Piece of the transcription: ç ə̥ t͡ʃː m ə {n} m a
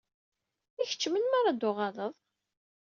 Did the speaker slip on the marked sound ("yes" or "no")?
no